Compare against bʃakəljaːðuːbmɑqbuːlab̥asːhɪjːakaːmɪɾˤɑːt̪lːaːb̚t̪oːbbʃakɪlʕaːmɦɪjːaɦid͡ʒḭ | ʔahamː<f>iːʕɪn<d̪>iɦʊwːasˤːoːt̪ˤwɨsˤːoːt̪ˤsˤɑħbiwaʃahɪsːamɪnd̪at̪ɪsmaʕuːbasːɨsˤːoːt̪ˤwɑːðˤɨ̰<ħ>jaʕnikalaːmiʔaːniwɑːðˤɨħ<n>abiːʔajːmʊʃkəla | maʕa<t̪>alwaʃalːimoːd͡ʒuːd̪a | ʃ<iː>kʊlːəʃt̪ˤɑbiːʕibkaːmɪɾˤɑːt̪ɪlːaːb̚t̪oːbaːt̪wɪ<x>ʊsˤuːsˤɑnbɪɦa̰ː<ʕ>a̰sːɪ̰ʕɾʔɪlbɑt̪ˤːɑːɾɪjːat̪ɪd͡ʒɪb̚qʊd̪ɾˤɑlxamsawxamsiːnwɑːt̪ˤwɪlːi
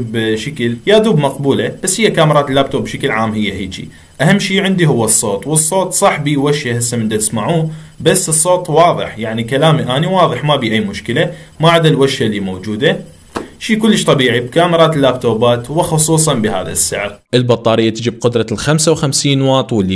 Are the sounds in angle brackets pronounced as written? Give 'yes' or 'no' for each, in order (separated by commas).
no, yes, yes, no, no, yes, yes, no